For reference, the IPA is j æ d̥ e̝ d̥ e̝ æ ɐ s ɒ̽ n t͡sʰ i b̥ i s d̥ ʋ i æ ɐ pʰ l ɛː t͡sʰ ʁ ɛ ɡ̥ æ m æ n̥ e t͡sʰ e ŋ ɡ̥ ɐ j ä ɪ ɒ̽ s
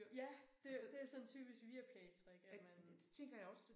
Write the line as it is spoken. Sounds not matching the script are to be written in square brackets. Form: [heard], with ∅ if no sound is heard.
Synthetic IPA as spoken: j æ d̥ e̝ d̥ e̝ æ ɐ s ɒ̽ n t͡sʰ [y] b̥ i s [ɡ̥] ʋ i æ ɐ pʰ l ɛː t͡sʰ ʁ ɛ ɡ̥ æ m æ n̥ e t͡sʰ e ŋ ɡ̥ ɐ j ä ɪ ɒ̽ s